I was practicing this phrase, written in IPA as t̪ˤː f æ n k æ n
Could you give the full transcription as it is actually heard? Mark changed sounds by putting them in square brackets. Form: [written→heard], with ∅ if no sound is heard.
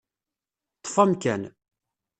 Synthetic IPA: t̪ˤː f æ [n→m] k æ n